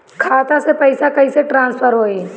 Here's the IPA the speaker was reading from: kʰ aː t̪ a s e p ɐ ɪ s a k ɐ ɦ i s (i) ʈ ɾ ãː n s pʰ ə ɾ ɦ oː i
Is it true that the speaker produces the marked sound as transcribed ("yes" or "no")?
no